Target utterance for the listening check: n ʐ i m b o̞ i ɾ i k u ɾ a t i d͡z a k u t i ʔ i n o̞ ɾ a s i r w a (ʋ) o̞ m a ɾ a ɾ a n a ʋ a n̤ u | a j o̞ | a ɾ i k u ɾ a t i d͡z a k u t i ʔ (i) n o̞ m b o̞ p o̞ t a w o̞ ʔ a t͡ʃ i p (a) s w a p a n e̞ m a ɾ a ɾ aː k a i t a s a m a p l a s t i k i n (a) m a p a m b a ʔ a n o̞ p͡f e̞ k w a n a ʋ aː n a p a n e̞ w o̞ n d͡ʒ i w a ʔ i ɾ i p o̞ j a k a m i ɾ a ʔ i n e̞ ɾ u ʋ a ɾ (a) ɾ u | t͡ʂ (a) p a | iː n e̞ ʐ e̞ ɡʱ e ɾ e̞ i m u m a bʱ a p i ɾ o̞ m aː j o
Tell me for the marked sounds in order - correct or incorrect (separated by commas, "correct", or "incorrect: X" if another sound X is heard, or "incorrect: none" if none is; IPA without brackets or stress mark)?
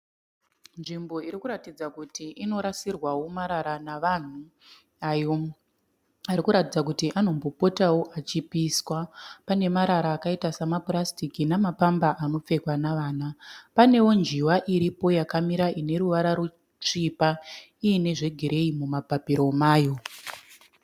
incorrect: w, incorrect: a, incorrect: i, correct, correct, incorrect: i